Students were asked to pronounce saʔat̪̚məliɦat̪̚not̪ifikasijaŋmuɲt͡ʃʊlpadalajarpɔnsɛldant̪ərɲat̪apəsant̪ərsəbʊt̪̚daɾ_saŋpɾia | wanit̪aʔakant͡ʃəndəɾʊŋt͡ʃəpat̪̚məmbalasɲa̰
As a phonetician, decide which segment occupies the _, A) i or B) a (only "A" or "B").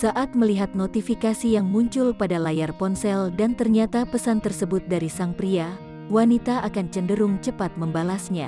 A